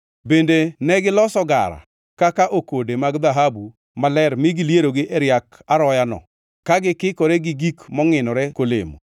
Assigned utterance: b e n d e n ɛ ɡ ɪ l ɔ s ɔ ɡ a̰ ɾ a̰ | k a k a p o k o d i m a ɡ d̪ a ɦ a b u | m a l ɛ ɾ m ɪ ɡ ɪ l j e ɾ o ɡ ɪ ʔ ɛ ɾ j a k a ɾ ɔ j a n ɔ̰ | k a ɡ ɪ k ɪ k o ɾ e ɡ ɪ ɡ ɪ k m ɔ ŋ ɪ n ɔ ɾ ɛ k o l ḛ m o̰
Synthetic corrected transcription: b e n d e n ɛ ɡ ɪ l ɔ s ɔ ɡ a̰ ɾ a̰ | k a k a ʔ o k o d e m a ɡ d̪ a ɦ a b u | m a l ɛ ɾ m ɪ ɡ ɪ l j e ɾ o ɡ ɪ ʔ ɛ ɾ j a k a ɾ ɔ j a n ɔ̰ | k a ɡ ɪ k ɪ k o ɾ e ɡ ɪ ɡ i k m ɔ ŋ ɪ n ɔ ɾ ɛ k o l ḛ m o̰